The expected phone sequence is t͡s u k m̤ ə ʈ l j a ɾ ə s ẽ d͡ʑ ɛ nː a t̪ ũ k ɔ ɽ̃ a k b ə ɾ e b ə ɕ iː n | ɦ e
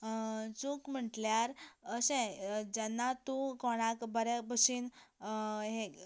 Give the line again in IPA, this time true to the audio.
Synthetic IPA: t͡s u k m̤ ə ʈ l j a ɾ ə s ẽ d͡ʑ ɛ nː a t̪ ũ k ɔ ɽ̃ a k b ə ɾ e b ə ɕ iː n | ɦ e